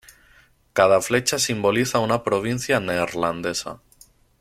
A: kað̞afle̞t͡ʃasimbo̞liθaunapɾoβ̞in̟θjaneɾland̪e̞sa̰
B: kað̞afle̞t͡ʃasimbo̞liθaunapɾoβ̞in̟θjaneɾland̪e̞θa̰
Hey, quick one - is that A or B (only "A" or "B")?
A